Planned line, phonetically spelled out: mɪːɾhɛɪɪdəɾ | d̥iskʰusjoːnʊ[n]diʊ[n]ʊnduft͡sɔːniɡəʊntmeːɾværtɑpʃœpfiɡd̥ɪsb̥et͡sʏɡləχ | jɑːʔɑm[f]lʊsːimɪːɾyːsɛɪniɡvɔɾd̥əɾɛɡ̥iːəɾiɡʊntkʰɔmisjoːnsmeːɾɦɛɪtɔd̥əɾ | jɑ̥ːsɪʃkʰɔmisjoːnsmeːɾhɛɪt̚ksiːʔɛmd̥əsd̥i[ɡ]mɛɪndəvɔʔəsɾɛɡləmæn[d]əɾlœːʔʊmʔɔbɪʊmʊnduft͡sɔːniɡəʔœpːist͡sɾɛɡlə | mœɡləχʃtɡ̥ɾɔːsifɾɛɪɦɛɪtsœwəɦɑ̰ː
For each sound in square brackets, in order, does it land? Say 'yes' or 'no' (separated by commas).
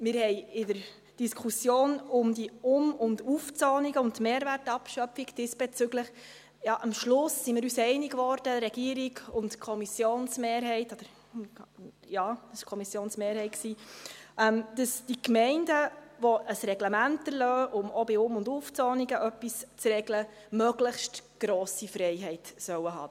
no, no, no, no, no